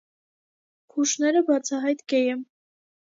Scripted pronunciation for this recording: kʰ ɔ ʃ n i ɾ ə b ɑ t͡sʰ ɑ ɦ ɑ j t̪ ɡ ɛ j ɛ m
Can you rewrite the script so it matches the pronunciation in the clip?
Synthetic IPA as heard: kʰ u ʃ n ɛ ɾ ə b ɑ t͡sʰ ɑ ɦ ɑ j t̪ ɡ ɛ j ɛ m

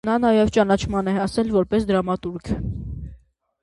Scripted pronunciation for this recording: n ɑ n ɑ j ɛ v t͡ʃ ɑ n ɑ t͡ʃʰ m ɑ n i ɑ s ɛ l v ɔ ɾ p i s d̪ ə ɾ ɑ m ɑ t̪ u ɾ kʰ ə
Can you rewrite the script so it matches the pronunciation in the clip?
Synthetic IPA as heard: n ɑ n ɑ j ɛ v t͡ʃ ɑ n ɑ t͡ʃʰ m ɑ n ɛ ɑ s ɛ l v ɔ ɾ p ɛ s d̪ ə ɾ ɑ m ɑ t̪ u ɾ kʰ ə

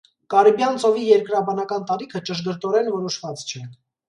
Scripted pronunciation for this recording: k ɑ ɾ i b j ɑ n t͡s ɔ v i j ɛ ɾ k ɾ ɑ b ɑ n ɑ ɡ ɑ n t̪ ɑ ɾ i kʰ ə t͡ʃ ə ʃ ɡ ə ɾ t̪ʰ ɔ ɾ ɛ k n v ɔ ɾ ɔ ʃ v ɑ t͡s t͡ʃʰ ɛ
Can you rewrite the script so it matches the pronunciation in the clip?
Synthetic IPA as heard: k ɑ ɾ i b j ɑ n t͡s ɔ v i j ɛ ɾ k ɾ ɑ b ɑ n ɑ k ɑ n t̪ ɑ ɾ i kʰ ə t͡ʃ ə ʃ ɡ ə ɾ t̪ ɔ ɾ ɛ n v ɔ ɾ ɔ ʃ v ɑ t͡s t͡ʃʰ ɛ

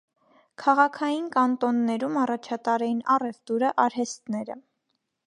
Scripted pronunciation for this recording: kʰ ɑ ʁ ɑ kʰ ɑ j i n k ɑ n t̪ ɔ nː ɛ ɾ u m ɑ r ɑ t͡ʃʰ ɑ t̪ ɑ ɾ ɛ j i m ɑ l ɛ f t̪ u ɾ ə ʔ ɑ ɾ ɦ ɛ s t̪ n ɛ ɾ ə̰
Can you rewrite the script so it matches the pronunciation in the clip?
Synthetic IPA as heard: kʰ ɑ ʁ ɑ kʰ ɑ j i n k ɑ n t̪ ɔ nː ɛ ɾ u m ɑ r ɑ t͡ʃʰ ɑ t̪ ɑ ɾ ɛ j i n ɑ r ɛ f t̪ u ɾ ə ʔ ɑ ɾ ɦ ɛ s t̪ n ɛ ɾ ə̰

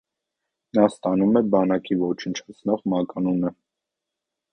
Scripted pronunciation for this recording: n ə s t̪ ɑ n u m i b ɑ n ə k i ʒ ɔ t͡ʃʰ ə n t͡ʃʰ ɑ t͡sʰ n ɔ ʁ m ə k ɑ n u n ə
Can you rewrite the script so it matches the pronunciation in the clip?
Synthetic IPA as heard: n ɑ s t̪ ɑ n u m ɛ b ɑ n ɑ k i v ɔ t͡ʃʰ ə n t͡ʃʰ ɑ t͡sʰ n ɔ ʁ m ɑ k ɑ n u n ə

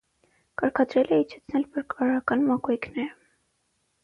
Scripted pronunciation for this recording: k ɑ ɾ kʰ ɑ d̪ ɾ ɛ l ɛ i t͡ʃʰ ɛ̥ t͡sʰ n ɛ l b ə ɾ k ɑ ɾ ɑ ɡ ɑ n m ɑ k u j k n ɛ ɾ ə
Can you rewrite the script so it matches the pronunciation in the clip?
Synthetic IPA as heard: k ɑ ɾ kʰ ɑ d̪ ɾ ɛ l ɛ i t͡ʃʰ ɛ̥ t͡sʰ n ɛ l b ə ɾ k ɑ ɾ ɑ k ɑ n m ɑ k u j k n ɛ ɾ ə

